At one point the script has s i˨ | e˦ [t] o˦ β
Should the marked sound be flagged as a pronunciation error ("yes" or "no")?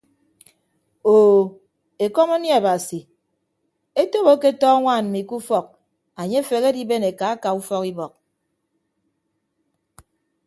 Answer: no